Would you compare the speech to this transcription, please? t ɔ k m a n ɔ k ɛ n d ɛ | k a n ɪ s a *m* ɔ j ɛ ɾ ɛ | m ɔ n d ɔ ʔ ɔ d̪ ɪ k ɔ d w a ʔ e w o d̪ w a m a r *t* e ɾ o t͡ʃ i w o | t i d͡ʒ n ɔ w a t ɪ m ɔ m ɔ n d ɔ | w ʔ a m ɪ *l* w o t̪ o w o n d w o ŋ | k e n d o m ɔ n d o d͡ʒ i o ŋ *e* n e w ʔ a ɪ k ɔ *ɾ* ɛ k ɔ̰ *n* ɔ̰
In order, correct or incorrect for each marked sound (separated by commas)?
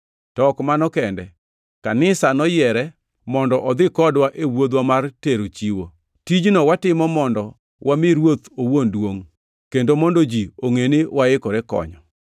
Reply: incorrect, correct, incorrect, correct, correct, incorrect